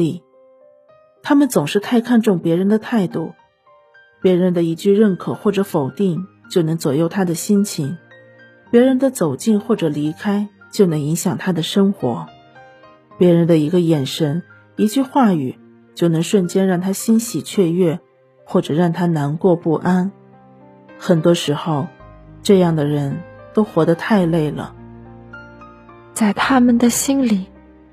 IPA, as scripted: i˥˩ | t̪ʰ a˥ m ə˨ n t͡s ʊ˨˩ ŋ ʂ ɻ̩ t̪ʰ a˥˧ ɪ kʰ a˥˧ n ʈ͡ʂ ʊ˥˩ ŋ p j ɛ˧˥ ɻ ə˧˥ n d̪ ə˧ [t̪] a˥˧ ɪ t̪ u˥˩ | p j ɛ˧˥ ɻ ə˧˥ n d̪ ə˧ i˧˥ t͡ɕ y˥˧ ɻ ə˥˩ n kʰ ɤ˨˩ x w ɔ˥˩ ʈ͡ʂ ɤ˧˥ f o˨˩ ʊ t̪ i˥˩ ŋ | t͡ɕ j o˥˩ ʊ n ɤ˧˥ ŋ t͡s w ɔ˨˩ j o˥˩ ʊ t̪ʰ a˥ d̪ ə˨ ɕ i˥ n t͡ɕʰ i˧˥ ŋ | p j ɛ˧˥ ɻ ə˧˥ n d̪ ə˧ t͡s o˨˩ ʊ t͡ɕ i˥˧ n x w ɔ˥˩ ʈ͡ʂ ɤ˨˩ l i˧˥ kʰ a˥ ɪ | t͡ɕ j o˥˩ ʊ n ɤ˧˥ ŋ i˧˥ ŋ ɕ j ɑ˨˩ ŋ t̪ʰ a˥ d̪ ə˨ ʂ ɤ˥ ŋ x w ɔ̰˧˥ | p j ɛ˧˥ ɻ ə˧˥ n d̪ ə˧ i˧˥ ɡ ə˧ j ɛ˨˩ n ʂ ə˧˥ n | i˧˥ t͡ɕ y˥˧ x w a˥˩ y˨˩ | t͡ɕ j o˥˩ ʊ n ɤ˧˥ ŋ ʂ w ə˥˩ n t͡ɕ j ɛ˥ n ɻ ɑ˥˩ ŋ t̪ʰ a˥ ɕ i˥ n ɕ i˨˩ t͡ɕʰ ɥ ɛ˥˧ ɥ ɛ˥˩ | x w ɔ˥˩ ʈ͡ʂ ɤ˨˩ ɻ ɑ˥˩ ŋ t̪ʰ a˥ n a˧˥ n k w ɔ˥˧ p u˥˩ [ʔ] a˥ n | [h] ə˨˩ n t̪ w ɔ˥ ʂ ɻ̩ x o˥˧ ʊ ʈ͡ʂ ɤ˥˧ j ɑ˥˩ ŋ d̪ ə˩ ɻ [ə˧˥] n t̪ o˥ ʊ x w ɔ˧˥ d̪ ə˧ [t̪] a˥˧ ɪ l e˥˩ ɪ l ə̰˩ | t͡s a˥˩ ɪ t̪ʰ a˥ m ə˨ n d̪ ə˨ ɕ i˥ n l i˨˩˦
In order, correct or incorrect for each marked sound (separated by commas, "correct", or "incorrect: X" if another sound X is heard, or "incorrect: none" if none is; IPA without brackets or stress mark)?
incorrect: t̪ʰ, correct, incorrect: x, correct, incorrect: t̪ʰ